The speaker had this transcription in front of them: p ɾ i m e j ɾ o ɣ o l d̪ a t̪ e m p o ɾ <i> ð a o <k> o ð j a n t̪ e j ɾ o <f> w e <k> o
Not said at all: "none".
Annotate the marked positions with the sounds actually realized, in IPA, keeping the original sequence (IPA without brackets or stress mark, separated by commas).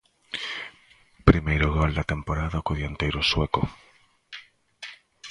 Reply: a, k, s, k